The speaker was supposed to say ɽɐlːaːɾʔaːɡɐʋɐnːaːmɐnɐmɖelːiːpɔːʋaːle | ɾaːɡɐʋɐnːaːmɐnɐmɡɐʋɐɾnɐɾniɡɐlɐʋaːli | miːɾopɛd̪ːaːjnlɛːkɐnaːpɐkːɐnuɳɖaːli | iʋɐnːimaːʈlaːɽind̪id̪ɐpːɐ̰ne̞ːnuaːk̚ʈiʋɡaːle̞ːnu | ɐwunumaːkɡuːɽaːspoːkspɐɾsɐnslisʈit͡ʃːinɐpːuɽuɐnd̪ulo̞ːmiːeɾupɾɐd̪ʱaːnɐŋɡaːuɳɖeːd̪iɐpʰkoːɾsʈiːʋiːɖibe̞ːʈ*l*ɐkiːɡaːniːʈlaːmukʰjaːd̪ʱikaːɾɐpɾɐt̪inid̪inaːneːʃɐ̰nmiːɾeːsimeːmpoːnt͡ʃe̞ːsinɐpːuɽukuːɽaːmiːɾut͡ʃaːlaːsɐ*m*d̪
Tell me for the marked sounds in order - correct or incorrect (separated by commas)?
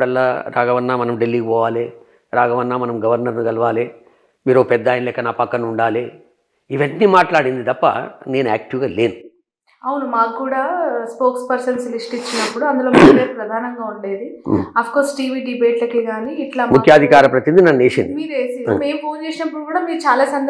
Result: correct, incorrect